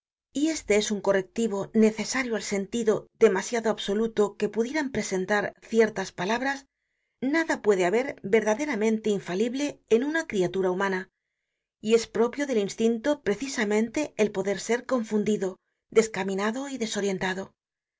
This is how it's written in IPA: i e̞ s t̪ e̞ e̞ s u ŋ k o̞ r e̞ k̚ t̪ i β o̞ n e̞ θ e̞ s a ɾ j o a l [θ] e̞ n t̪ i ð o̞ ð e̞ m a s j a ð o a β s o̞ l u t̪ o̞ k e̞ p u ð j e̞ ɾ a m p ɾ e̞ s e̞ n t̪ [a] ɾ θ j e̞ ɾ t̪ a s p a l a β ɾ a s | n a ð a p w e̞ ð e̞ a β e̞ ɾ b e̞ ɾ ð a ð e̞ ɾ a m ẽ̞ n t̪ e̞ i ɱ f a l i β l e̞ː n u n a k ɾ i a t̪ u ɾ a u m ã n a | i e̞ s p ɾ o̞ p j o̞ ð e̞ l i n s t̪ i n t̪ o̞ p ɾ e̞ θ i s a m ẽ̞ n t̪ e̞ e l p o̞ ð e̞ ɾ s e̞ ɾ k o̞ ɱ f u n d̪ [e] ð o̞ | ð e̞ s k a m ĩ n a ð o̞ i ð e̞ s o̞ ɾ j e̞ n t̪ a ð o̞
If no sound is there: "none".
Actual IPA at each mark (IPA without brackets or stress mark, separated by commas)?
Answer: s, a, i